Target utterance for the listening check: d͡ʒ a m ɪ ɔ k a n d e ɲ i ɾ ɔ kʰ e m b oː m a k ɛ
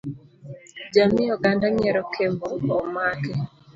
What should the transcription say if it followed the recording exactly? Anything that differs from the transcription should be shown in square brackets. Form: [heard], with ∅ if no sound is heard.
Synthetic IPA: d͡ʒ a m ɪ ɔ [ɡ] a n d [a] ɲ [ɛ] ɾ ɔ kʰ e m b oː m a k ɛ